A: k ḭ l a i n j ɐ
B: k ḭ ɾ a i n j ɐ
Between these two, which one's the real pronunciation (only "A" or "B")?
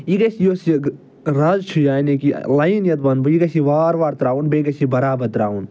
A